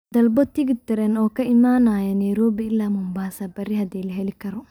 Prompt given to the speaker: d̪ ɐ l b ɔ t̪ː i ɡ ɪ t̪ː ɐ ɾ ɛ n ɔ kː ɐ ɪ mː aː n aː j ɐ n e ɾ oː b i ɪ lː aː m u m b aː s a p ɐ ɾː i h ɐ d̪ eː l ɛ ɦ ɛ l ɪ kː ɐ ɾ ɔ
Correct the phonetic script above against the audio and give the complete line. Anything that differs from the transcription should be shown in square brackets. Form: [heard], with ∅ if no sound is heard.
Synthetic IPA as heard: d̪ ɐ l b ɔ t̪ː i ɡ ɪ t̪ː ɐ ɾ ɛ n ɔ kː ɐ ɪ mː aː n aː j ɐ n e ɾ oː b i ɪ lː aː m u m b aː s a [b] ɐ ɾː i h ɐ d̪ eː l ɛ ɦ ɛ l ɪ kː ɐ ɾ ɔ